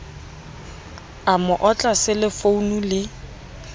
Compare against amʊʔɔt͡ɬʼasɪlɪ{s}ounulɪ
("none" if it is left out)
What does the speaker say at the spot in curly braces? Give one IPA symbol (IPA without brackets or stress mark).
f